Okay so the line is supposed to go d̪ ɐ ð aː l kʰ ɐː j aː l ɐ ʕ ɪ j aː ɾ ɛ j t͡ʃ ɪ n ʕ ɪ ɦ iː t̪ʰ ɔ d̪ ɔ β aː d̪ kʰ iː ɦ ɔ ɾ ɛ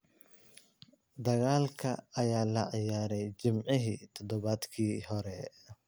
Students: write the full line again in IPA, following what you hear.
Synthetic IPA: d̪ ɐ ɣ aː l kʰ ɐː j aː l ɐ ʕ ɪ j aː ɾ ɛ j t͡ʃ ɪ m ʕ ɪ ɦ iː t̪ʰ ɔ d̪ ɔ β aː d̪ kʰ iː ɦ ɔ ɾ ɛ